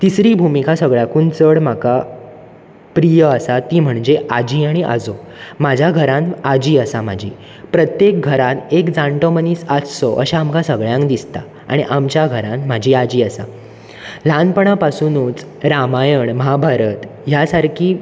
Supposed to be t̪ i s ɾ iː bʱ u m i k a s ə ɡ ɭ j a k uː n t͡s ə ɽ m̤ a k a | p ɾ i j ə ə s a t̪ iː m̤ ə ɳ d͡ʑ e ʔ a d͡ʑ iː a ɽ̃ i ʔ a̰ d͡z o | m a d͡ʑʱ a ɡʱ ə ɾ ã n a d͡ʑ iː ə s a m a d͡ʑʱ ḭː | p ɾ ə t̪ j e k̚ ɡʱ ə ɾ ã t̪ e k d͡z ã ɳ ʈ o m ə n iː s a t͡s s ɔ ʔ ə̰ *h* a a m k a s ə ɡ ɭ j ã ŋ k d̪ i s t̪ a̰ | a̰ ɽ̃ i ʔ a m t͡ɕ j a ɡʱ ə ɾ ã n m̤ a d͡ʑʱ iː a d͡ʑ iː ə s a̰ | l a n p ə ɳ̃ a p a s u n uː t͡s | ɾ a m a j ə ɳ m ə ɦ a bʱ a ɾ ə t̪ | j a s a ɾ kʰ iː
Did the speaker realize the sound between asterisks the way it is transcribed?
no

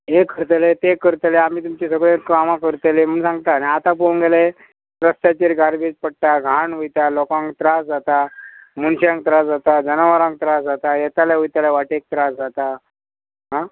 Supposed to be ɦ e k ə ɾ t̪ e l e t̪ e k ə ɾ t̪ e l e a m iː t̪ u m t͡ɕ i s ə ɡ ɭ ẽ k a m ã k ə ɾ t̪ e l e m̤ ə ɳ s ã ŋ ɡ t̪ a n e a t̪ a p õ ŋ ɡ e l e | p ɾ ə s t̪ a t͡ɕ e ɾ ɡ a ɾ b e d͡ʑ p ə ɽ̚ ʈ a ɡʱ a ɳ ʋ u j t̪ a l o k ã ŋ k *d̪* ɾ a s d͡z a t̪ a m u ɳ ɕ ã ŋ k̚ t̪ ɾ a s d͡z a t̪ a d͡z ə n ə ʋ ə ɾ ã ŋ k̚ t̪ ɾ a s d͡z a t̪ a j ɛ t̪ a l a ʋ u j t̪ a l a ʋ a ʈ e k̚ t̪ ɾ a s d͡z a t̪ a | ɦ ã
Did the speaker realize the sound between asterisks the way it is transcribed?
no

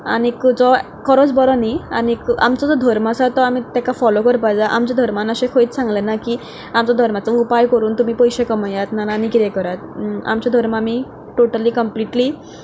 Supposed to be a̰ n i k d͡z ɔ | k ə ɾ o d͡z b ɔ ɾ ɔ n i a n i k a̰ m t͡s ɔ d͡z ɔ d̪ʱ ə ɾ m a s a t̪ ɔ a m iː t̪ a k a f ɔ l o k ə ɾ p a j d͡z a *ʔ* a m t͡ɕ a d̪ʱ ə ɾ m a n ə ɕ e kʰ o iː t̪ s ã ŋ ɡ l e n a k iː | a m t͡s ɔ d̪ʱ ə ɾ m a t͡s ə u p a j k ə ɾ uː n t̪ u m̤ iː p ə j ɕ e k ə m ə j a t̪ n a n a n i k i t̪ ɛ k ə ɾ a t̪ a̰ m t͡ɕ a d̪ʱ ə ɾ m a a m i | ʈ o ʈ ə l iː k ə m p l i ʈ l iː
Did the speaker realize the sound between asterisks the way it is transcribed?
yes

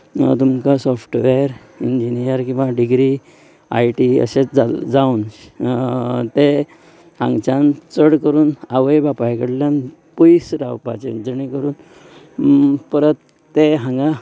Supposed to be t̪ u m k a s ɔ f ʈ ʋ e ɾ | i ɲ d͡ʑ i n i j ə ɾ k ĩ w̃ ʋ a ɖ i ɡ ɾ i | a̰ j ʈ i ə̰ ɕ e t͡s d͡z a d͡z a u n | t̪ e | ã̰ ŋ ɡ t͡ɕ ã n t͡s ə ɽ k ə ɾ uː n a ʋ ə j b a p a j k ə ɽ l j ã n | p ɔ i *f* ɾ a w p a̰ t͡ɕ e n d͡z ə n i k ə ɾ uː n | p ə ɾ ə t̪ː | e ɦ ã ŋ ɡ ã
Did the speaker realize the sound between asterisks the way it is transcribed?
no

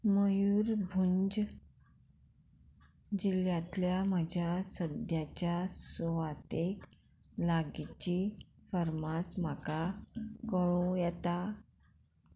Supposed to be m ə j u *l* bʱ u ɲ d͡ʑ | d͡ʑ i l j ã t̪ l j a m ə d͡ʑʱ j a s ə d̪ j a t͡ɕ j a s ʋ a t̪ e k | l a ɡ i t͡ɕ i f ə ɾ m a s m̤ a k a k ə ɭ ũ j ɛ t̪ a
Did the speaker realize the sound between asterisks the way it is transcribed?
no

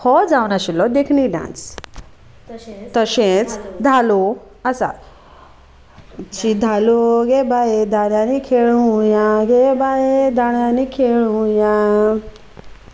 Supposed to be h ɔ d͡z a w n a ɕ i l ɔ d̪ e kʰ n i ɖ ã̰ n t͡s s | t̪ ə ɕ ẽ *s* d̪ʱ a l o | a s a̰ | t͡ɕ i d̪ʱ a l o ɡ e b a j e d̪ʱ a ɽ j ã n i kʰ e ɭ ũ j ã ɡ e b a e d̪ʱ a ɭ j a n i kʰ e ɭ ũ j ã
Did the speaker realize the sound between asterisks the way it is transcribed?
no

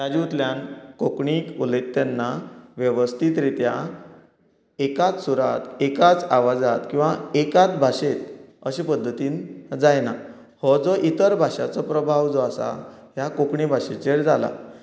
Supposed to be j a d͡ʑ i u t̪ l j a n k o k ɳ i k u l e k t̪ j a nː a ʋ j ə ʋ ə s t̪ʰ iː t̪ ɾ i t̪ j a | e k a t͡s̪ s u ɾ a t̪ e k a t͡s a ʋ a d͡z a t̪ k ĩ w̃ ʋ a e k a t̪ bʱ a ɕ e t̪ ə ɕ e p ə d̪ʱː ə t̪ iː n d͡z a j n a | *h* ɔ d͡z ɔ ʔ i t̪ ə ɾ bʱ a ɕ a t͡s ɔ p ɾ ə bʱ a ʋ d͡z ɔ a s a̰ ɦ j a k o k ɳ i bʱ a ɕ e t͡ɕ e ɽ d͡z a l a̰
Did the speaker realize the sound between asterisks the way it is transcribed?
yes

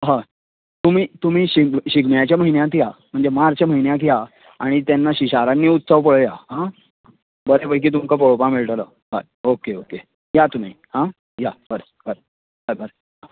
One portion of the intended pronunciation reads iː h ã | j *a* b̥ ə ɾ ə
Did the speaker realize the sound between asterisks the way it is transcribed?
yes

